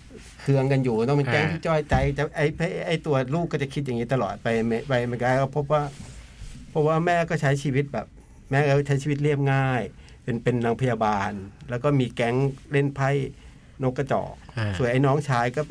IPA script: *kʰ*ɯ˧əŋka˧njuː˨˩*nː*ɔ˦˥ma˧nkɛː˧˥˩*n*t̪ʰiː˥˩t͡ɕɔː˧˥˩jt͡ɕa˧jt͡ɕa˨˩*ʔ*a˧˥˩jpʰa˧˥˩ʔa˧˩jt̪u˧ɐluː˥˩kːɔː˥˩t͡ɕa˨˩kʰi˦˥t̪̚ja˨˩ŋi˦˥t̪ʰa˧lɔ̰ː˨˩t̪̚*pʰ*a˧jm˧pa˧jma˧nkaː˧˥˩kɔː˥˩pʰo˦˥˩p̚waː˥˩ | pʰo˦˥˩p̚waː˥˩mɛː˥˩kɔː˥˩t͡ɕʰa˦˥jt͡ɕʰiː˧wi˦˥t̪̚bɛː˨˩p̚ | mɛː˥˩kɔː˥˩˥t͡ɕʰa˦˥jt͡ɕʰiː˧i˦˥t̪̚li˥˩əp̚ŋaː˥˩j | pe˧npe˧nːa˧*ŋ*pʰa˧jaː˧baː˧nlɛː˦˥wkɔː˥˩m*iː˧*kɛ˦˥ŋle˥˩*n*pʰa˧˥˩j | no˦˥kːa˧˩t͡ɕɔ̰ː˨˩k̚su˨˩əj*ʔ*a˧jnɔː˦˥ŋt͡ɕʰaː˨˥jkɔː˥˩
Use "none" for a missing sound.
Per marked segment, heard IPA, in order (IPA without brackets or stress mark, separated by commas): kʰ, n, ŋ, ʔ, p, ŋ, iː˧, n, ʔ